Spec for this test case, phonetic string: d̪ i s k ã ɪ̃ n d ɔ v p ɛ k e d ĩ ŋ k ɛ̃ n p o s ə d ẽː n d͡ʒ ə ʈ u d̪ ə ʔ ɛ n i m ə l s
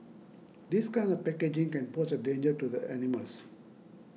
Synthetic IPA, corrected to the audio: d̪ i s k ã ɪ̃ n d ɔ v p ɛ k e d͡ʒ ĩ ŋ k ɛ̃ n p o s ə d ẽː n d͡ʒ ə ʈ u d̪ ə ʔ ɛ n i m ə l s